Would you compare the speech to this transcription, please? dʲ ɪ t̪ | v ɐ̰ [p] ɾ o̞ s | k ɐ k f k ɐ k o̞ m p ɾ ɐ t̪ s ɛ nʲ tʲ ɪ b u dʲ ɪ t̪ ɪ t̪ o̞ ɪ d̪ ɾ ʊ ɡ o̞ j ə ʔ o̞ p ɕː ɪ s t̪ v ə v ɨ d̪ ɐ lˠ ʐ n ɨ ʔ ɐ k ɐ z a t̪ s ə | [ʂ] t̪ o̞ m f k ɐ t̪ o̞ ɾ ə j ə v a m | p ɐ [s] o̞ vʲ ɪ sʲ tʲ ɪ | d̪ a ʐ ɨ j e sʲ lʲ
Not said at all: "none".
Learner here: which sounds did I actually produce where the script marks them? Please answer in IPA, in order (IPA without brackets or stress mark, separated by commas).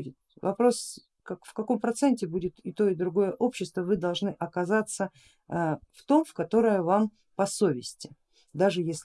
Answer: p, f, s